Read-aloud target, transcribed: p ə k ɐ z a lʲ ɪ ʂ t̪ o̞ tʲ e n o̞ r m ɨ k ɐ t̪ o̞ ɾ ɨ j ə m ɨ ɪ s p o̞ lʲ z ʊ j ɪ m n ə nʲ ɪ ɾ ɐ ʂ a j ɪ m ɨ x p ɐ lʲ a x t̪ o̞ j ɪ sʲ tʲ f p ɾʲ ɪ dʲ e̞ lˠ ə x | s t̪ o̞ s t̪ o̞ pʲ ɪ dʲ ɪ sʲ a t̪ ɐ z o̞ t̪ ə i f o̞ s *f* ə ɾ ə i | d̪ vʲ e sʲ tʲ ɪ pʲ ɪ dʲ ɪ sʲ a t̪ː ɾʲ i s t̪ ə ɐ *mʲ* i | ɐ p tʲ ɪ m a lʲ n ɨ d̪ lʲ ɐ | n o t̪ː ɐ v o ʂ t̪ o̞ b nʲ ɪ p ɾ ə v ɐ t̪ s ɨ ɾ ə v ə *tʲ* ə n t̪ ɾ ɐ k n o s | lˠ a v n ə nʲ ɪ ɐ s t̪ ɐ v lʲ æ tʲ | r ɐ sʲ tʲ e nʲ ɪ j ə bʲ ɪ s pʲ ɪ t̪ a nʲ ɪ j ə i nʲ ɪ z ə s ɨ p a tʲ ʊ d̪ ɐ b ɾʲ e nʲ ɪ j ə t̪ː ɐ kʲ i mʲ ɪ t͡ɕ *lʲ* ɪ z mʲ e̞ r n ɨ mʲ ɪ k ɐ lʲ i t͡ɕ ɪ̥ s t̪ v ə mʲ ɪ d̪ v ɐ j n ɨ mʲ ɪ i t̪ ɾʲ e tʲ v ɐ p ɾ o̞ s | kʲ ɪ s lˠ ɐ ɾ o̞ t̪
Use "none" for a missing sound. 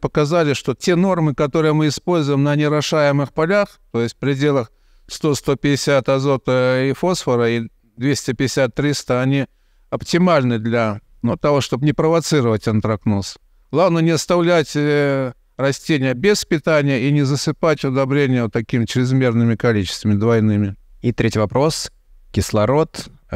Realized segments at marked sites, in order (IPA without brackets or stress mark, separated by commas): f, nʲ, tʲ, ɾʲ